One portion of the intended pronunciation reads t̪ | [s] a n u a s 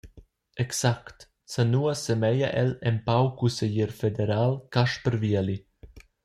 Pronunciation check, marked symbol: correct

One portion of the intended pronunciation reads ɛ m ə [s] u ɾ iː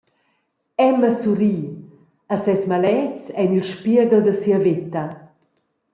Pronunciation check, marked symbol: correct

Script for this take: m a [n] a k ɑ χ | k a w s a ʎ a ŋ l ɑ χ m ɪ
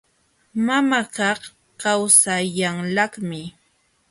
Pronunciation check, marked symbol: incorrect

